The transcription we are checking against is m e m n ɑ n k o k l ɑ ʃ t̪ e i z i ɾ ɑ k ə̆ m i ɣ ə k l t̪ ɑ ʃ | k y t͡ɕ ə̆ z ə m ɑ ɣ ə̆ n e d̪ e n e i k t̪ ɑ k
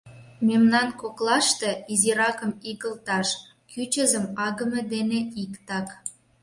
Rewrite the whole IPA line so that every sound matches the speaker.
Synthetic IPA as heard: m e m n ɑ n k o k l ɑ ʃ t̪ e i z i ɾ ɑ k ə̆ m i ɣ ə l t̪ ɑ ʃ | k y t͡ɕ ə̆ z ə m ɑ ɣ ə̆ m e d̪ e n e i k t̪ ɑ k